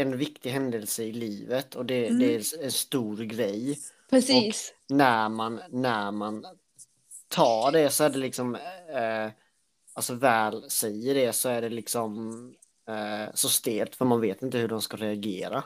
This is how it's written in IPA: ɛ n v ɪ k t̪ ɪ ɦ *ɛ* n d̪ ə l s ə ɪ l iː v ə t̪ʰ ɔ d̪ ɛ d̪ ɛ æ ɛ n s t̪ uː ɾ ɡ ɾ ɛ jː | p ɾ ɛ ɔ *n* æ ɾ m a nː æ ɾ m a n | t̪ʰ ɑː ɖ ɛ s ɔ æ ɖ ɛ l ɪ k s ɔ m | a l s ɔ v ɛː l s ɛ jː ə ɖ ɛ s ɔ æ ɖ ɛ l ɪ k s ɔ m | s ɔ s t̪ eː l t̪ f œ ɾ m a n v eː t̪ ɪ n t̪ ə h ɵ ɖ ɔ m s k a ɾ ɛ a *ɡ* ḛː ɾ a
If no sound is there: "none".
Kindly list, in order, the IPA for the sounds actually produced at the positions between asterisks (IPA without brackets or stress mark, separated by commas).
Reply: ɛ, n, ɡ